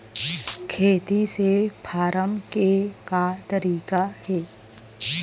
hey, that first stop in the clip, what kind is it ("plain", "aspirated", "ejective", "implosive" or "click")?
aspirated